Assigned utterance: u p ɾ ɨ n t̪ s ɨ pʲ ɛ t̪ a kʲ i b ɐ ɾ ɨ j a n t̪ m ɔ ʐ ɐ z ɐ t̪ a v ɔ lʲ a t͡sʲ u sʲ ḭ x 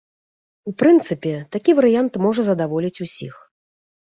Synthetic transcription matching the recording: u p ɾ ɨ n t̪ s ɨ pʲ ɛ t̪ a kʲ i v ɐ ɾ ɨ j a n t̪ m ɔ ʐ ɐ z ɐ d̪ a v ɔ lʲ i t͡sʲ u sʲ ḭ x